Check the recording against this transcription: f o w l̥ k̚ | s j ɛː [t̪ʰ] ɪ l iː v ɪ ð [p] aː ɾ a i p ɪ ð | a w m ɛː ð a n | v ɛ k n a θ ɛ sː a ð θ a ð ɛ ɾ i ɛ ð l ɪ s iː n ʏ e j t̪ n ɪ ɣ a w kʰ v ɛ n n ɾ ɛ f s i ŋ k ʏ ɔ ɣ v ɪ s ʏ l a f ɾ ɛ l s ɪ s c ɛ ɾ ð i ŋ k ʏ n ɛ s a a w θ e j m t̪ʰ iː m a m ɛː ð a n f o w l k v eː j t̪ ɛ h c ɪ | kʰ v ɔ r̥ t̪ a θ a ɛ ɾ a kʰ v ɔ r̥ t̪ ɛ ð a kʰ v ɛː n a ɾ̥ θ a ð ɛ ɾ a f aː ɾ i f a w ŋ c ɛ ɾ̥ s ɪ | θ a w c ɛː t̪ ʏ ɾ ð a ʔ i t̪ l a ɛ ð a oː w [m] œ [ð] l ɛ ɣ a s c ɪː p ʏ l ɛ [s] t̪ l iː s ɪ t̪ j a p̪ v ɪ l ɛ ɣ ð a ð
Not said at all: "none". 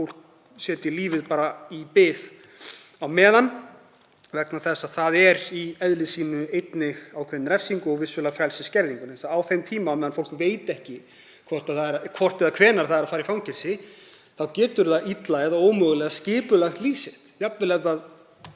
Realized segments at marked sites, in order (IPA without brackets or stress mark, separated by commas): t̪, p, m, ɣ, x